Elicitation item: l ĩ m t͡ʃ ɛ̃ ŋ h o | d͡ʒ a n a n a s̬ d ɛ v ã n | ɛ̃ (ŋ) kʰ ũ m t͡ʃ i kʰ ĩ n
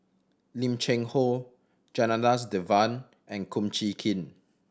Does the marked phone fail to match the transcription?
yes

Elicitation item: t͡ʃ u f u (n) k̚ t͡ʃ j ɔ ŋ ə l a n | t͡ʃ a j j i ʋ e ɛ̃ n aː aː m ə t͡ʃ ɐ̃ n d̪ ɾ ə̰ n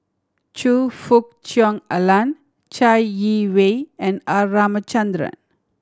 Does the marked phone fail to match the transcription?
yes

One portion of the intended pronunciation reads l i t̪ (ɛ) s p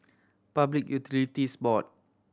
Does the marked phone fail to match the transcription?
yes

